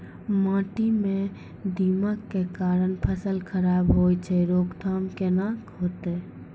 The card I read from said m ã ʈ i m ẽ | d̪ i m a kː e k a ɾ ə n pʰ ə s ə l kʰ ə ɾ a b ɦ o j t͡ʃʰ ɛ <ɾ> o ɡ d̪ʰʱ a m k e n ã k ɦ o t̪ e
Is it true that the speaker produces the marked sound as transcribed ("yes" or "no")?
yes